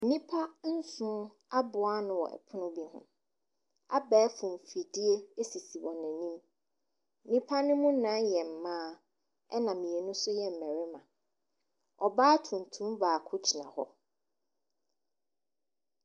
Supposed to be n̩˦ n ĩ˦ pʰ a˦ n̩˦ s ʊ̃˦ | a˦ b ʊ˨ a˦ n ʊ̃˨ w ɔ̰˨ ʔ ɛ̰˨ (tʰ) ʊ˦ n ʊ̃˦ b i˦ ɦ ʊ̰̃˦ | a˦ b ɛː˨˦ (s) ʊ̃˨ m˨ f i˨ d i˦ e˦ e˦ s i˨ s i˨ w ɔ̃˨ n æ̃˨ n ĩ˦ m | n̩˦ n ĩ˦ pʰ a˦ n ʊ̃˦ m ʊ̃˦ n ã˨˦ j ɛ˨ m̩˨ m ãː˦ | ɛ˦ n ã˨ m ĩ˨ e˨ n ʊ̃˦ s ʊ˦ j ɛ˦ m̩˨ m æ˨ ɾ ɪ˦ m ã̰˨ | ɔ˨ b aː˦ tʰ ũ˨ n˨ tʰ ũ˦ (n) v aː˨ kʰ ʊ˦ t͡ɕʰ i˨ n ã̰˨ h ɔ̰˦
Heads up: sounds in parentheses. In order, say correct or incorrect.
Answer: incorrect: pʰ, incorrect: f, incorrect: m

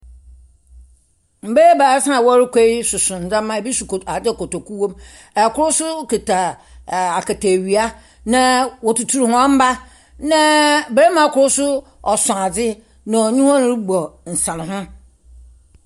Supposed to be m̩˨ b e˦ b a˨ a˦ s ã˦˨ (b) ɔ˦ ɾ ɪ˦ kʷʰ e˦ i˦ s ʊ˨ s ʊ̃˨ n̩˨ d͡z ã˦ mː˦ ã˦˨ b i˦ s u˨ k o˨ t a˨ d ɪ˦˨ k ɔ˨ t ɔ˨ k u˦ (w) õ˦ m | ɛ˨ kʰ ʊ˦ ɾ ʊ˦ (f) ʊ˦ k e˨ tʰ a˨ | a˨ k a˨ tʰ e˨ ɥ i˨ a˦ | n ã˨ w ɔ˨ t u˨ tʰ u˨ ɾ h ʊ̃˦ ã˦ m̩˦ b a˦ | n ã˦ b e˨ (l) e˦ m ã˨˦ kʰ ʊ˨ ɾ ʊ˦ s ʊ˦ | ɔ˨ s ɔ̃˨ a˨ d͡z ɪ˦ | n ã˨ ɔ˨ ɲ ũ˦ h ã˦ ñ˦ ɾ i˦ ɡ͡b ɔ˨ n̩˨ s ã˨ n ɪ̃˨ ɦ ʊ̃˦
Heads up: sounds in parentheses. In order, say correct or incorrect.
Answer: incorrect: w, correct, incorrect: s, incorrect: ɾ

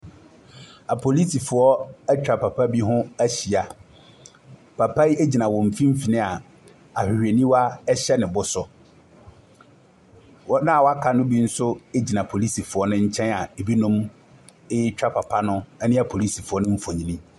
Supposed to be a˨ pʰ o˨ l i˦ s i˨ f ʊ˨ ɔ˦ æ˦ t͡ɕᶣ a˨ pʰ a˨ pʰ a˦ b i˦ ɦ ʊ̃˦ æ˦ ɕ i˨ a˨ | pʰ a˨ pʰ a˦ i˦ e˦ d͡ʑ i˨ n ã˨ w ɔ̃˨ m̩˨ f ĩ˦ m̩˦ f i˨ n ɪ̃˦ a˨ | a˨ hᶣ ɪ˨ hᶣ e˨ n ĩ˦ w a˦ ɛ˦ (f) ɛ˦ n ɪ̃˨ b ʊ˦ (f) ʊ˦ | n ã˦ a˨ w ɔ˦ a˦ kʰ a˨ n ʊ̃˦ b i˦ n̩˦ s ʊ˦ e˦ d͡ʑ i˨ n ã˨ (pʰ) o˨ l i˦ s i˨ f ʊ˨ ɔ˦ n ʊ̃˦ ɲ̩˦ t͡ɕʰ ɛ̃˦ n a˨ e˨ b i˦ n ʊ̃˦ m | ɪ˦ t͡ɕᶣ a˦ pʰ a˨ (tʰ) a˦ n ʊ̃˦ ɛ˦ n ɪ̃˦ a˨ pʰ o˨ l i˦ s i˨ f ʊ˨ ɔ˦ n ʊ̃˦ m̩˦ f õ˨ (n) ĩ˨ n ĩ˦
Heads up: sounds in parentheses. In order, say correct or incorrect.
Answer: incorrect: ɕ, incorrect: s, correct, incorrect: pʰ, incorrect: ɲ

